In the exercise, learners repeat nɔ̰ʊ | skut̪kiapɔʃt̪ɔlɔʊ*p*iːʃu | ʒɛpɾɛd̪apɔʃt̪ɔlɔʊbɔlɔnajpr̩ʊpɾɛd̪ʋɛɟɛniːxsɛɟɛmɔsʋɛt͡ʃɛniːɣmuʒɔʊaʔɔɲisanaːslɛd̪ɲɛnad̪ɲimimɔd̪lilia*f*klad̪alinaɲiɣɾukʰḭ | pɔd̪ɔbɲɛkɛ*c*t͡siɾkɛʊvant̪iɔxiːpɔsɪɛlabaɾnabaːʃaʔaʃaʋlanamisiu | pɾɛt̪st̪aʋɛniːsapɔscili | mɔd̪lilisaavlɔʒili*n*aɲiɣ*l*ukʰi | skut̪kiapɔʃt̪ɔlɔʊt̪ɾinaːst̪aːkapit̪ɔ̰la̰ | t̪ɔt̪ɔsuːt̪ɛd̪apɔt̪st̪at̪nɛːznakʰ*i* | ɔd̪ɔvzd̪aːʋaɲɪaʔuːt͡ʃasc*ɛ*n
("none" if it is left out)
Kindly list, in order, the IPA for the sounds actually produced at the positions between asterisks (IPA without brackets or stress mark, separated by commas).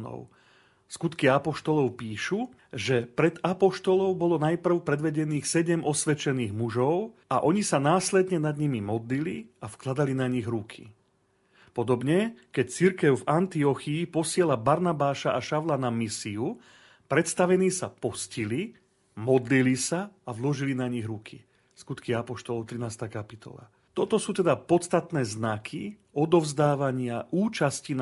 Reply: p, f, c, n, ɾ, i, i